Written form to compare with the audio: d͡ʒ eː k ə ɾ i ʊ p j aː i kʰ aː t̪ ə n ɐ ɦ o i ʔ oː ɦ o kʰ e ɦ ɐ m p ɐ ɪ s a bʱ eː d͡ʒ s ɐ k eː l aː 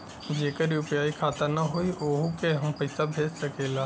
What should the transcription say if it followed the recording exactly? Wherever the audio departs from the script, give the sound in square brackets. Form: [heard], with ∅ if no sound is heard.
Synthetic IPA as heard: d͡ʒ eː k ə ɾ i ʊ p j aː i kʰ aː t̪ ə n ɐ ɦ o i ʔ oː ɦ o [k] e ɦ ɐ m p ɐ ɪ s a bʱ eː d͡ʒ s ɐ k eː l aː